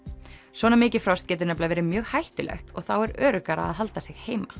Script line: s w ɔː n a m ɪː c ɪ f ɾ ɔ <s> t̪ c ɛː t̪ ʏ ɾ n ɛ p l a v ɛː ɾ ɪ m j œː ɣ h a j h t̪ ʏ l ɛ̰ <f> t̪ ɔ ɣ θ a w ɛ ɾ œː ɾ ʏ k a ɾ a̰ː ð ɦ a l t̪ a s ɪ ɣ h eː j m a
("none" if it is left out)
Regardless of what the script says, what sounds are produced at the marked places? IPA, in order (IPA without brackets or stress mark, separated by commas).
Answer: s, x